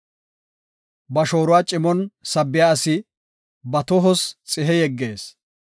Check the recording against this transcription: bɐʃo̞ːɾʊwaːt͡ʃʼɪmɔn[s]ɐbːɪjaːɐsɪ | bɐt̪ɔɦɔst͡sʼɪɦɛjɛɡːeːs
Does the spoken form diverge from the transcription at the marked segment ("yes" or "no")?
no